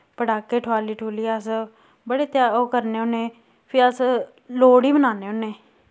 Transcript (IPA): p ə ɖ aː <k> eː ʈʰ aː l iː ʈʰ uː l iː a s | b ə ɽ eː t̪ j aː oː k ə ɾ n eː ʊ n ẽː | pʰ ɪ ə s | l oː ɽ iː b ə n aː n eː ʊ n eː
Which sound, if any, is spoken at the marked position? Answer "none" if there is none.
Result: k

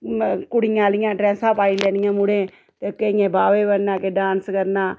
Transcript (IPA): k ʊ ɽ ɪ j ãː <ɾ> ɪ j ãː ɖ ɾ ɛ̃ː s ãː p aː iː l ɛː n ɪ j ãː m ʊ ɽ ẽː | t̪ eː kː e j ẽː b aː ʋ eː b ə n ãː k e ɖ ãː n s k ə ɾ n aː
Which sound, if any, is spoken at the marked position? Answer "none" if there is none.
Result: l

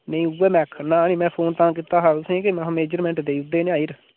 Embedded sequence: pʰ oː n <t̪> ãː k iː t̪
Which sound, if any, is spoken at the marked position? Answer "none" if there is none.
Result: t̪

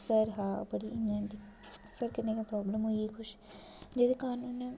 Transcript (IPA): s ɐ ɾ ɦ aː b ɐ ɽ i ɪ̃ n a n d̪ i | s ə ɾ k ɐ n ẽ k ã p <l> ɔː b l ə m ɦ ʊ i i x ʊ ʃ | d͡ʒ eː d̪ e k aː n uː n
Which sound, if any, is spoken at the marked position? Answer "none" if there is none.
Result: ɾ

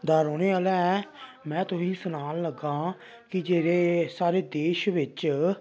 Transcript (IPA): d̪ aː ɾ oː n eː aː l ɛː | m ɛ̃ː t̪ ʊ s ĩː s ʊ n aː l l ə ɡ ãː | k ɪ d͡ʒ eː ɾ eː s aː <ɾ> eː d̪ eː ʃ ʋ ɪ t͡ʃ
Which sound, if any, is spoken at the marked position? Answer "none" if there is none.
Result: ɾ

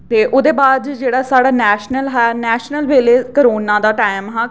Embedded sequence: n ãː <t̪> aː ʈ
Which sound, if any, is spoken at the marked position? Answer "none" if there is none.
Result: d̪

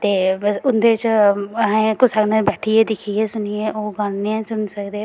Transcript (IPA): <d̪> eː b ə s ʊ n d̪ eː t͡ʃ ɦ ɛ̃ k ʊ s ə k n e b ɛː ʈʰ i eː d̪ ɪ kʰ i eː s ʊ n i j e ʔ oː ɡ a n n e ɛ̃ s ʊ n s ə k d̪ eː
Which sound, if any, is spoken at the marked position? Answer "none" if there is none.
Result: t̪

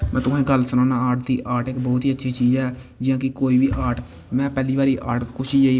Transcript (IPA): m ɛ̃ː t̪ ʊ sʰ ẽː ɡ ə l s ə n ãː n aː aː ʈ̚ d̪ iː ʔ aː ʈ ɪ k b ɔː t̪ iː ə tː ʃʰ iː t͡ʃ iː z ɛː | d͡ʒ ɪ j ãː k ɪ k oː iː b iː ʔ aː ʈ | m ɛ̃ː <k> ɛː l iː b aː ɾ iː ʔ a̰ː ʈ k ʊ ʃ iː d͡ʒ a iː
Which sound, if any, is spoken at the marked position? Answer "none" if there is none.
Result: p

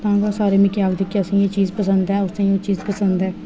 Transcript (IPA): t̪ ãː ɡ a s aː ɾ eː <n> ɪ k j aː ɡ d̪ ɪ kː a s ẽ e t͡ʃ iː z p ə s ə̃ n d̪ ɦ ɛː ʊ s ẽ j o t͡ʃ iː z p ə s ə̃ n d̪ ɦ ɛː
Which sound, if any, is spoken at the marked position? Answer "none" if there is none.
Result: m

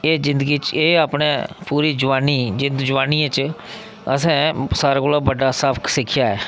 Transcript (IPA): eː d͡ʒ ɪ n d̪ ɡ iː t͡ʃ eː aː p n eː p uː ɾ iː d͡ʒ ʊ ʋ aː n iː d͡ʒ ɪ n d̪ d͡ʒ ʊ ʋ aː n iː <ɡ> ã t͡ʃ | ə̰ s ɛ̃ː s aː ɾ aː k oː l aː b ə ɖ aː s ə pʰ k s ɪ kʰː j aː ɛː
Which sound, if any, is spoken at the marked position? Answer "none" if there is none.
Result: none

